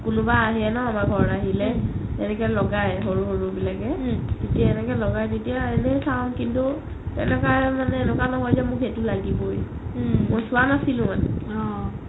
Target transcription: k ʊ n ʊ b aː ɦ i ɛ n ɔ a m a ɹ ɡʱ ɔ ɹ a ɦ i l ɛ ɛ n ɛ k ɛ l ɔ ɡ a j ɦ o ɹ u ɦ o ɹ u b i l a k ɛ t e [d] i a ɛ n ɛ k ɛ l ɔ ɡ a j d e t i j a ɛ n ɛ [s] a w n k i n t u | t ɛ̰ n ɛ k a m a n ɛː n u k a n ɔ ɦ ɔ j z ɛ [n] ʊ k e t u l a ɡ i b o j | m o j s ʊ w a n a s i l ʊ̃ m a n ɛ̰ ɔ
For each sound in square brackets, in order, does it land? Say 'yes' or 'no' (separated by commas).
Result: no, yes, no